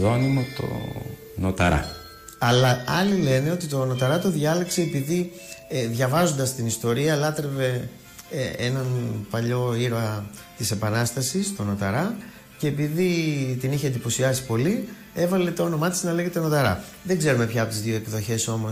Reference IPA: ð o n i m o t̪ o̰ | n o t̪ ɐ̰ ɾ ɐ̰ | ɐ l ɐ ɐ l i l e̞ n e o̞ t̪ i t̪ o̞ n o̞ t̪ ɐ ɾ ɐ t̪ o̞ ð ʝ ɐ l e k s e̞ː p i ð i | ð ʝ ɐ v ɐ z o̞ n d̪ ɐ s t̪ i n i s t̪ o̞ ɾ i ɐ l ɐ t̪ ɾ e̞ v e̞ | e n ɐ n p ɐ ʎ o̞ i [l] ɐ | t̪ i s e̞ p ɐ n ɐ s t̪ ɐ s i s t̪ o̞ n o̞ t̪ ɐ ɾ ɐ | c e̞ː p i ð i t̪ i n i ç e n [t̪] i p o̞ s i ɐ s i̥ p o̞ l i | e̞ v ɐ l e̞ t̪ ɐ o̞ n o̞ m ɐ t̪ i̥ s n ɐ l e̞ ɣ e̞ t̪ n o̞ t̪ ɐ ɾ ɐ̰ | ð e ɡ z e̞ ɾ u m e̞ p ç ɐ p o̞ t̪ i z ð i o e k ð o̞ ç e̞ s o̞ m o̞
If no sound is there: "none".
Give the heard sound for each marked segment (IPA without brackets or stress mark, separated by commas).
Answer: ɾ, d̪